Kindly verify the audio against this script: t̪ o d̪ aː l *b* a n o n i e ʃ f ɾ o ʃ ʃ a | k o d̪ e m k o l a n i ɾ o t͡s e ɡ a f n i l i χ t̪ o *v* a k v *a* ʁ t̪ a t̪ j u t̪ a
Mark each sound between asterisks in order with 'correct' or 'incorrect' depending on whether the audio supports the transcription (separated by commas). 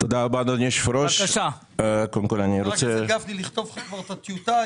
correct, correct, correct